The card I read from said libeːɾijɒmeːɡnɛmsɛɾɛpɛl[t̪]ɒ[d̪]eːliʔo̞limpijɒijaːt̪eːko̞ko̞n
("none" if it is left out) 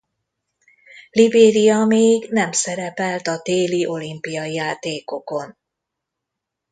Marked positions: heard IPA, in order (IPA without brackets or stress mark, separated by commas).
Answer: t̪, t̪